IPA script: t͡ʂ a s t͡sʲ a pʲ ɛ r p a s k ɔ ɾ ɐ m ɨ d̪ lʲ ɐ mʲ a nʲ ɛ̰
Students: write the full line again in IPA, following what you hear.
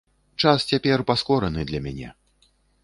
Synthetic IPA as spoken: t͡ʂ a s t͡sʲ a pʲ ɛ r p a s k ɔ ɾ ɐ n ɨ d̪ lʲ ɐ mʲ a nʲ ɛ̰